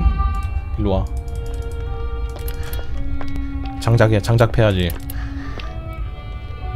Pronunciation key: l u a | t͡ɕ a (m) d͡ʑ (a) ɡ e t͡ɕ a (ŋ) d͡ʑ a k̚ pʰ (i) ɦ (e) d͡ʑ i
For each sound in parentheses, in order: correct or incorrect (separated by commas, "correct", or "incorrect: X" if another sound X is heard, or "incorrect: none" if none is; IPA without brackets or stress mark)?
incorrect: ŋ, correct, correct, incorrect: e, incorrect: a